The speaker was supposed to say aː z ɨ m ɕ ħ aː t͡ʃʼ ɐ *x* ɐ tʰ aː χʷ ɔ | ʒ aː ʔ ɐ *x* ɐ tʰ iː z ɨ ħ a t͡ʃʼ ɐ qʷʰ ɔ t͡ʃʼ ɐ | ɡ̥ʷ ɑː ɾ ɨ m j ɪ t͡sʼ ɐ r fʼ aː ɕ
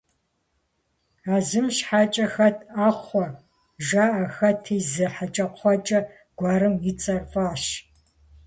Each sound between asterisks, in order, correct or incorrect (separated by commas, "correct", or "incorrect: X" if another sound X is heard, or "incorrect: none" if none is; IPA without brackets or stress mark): correct, correct